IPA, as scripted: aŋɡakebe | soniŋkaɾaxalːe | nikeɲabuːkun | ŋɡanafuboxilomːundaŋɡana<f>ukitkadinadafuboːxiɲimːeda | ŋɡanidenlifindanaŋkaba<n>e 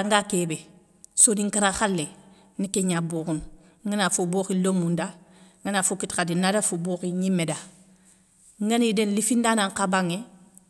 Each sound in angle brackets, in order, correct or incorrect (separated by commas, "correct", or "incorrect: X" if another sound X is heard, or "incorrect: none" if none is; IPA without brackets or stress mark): correct, incorrect: ŋ